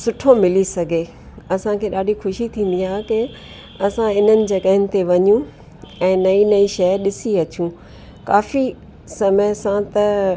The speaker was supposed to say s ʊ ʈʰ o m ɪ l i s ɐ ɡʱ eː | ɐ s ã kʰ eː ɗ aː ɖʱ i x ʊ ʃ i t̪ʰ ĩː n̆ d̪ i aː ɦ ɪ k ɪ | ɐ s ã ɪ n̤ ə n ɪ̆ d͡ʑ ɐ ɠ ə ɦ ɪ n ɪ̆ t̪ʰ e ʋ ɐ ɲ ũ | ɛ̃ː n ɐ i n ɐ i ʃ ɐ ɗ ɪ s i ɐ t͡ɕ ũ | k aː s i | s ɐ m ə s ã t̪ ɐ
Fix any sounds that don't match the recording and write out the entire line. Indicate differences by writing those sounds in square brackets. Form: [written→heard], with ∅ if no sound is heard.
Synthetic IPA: s ʊ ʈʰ o m ɪ l i s ɐ ɡʱ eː | ɐ s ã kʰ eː ɗ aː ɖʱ i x ʊ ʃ i t̪ʰ ĩː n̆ d̪ i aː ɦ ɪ k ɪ | ɐ s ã ɪ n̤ ə n ɪ̆ d͡ʑ ɐ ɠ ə ɦ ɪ n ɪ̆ [t̪ʰ→t̪] e ʋ ɐ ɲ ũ | ɛ̃ː n ɐ i n ɐ i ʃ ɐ ɗ ɪ s i ɐ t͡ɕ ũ | k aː [s→f] i | s ɐ m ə s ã t̪ ɐ